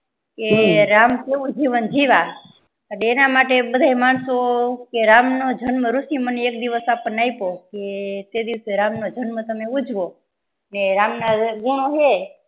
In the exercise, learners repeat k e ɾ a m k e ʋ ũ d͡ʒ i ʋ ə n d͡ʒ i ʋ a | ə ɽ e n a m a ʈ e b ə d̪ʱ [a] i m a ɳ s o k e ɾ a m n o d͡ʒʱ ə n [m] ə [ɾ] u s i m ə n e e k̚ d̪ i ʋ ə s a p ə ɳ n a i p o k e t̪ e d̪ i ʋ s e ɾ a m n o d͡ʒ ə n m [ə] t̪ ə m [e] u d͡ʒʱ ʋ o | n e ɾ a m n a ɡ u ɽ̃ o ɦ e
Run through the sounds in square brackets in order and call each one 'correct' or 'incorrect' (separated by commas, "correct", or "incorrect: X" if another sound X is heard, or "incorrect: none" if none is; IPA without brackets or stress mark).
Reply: correct, correct, correct, correct, correct